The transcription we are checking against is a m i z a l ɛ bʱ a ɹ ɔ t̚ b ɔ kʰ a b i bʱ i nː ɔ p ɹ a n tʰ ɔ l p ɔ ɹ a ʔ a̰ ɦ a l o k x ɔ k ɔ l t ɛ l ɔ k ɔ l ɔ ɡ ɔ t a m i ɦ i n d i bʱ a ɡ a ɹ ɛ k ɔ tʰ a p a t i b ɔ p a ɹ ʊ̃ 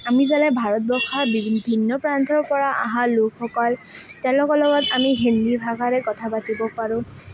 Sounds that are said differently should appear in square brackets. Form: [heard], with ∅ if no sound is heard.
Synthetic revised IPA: a m i z a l ɛ bʱ a ɹ ɔ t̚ b ɔ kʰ a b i bʱ i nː ɔ p ɹ a n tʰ ɔ [ɹ] p ɔ ɹ a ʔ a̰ ɦ a l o k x ɔ k ɔ l t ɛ l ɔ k ɔ l ɔ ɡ ɔ t a m i ɦ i n d i bʱ a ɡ a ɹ ɛ k ɔ tʰ a p a t i b ɔ p a ɹ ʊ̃